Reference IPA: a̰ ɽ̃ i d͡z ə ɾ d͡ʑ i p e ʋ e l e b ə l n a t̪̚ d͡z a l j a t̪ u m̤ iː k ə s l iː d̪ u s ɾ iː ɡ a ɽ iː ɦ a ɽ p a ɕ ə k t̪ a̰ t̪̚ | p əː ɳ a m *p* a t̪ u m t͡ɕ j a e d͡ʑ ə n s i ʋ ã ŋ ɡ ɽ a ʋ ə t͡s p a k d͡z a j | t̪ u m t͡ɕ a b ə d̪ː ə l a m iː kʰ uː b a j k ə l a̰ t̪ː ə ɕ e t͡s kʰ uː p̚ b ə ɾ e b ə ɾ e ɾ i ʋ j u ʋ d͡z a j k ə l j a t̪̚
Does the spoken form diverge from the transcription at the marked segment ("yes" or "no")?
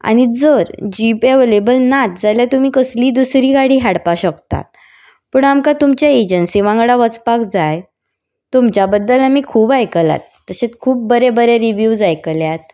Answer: yes